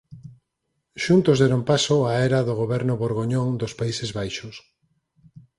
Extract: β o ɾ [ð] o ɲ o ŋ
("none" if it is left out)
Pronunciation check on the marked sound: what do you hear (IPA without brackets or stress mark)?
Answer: ɣ